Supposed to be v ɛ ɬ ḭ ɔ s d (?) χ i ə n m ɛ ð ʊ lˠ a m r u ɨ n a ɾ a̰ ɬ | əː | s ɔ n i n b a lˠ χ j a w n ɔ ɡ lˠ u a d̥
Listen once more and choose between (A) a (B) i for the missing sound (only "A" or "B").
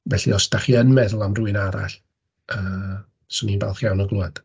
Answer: A